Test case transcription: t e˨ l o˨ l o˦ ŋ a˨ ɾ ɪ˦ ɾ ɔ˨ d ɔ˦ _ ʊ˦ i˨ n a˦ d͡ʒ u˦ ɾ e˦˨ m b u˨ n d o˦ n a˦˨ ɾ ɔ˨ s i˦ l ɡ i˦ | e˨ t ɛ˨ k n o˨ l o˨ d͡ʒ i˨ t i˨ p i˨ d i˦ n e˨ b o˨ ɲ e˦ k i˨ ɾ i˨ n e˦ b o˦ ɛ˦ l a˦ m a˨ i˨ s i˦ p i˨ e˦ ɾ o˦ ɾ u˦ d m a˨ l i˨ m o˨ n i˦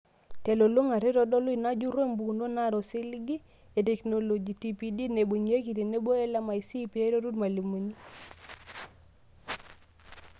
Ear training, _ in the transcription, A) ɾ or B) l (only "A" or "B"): B